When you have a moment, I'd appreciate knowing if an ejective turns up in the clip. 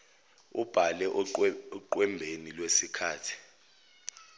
no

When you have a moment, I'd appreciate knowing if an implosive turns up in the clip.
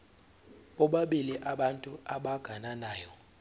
yes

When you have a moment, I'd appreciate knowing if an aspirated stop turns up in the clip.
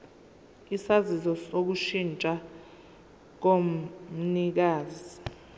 no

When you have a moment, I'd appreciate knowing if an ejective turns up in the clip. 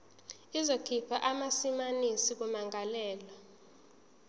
no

